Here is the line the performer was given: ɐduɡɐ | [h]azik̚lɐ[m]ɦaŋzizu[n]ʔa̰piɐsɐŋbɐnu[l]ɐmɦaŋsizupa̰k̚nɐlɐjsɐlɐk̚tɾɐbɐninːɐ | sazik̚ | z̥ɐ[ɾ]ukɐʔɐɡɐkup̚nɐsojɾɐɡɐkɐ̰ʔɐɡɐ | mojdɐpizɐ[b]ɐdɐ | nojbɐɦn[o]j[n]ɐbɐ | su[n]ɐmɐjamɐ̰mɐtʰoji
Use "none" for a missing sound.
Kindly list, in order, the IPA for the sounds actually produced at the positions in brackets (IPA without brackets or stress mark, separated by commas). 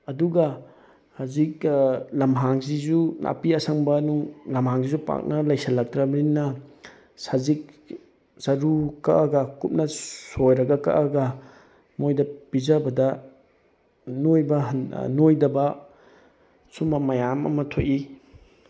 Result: h, m, n, l, ɾ, b, o, d, m